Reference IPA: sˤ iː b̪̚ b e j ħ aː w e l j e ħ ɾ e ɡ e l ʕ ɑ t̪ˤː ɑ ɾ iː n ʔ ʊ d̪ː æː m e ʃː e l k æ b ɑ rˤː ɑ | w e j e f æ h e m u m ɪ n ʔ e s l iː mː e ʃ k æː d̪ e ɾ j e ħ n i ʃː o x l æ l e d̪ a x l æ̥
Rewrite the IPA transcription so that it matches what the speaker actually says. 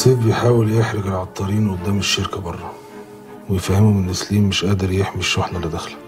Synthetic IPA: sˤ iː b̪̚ b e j ħ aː w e l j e ħ ɾ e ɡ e l ʕ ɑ t̪ˤː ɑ ɾ iː n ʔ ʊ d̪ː æː m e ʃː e ɾ k æ b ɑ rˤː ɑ | w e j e f æ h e m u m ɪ n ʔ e s l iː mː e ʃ ʔ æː d̪ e ɾ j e ħ m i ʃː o ħ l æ l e d̪ æ x l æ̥

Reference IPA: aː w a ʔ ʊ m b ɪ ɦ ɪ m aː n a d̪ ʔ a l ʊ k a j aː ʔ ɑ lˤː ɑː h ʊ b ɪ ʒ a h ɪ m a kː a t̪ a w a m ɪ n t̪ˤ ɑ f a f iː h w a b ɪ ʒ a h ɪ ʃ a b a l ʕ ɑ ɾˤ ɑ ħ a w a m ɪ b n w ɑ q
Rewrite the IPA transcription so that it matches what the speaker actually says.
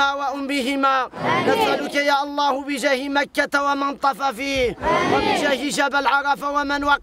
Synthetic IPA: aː w a ʔ ʊ m b ɪ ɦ ɪ m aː n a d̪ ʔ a l ʊ k a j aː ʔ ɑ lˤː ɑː h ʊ b ɪ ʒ a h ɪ m a kː a t̪ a w a m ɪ n t̪ˤ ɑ f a f iː h w a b ɪ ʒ a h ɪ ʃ a b a l ʕ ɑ ɾˤ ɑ f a w a m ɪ n w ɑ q

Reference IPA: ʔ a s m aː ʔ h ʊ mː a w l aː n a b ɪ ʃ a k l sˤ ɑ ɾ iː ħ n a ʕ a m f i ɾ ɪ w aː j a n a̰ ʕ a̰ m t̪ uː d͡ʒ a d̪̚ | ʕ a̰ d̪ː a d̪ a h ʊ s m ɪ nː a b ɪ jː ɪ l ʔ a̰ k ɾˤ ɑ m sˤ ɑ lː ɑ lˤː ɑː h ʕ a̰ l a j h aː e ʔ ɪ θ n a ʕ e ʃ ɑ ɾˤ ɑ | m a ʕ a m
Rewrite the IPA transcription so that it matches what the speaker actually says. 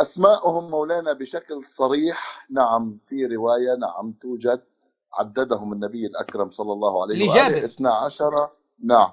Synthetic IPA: ʔ a s m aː ʔ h ʊ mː a w l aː n a b ɪ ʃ a k l sˤ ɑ ɾ iː ħ n a ʕ a m f i ɾ ɪ w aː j a n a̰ ʕ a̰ m t̪ uː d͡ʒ a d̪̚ | ʕ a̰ d̪ː a d̪ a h ʊ m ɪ nː a b ɪ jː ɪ l ʔ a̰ k ɾˤ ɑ m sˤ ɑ lː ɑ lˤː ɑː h ʕ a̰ l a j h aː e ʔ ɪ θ n a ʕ a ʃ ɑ ɾˤ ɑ | n a ʕ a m

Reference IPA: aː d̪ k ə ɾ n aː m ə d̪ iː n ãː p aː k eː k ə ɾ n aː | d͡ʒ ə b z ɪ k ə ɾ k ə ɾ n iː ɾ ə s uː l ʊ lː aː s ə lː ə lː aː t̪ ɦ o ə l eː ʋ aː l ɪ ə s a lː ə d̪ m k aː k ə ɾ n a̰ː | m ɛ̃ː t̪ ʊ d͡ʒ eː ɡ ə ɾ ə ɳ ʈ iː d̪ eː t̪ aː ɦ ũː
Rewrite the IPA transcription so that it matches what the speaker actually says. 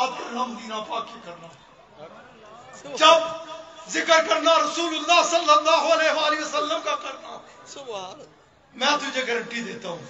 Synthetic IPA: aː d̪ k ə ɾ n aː m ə d̪ iː n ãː p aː k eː k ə ɾ n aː | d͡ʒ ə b z ɪ k ə ɾ k ə ɾ n aː ɾ ə s uː l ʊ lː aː s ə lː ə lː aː ɦ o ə l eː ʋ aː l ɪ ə s ə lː ə m k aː k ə ɾ n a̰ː | m ɛ̃ː t̪ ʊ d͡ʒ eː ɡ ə ɾ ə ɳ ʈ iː d̪ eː t̪ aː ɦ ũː

